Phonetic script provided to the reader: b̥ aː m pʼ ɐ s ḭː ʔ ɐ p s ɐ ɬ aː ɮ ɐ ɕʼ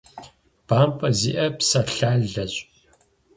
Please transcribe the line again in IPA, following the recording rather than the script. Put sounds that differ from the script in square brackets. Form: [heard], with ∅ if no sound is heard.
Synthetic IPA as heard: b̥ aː m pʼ ɐ [z] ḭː ʔ ɐ p s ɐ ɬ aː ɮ ɐ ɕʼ